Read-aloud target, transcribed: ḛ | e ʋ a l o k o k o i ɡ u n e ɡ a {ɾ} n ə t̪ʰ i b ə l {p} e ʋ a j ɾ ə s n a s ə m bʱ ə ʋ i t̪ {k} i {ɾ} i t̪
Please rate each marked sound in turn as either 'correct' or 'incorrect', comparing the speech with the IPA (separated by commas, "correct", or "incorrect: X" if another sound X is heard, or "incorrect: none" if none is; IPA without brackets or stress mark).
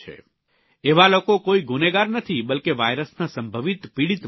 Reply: correct, incorrect: k, incorrect: p, incorrect: ɽ